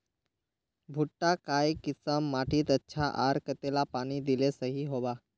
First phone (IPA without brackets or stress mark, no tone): bʱ